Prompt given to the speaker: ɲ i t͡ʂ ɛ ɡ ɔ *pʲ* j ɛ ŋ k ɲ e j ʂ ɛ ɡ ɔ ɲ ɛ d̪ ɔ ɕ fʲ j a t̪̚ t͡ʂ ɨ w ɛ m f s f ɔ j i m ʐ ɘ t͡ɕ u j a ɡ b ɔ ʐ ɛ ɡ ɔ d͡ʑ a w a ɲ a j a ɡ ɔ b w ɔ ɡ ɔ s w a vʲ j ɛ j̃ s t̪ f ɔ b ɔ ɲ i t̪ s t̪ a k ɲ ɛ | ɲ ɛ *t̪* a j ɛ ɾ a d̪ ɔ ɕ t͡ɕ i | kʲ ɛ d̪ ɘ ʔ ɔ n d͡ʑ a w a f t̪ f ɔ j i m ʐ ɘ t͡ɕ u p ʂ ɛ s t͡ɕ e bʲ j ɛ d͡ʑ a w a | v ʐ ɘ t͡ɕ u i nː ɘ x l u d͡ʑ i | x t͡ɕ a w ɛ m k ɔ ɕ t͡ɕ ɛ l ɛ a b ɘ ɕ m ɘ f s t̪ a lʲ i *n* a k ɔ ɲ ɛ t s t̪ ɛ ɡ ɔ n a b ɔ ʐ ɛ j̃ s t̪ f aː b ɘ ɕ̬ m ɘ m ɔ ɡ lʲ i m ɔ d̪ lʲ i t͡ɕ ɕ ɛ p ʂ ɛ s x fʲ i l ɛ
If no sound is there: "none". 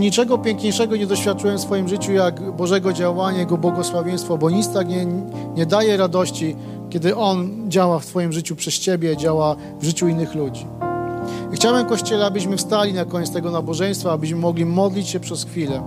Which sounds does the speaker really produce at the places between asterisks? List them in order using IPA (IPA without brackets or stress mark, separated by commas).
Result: pʲ, d̪, n